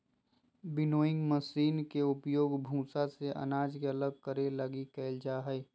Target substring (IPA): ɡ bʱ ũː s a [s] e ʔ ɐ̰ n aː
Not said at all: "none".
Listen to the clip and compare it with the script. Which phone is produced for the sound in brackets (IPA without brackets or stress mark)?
s